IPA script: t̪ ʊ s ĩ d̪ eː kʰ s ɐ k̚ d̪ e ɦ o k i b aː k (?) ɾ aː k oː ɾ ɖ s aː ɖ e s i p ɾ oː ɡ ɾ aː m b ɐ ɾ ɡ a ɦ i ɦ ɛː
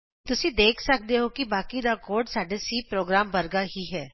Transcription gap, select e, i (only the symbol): i